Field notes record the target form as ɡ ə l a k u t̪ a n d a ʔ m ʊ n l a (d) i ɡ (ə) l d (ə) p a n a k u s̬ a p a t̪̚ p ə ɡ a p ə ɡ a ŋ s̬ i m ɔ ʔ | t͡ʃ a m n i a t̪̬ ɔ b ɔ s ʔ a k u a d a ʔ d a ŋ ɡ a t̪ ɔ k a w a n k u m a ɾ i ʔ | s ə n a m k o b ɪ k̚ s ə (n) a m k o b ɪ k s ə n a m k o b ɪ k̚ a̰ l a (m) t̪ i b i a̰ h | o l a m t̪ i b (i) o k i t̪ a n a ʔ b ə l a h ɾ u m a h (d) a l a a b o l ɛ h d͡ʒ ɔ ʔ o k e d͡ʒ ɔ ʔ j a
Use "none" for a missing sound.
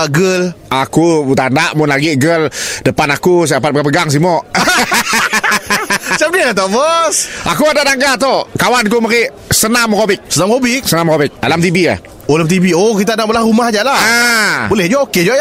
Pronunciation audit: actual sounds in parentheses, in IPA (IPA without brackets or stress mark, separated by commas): ɡ, ə, ə, n, m, i, d͡ʒ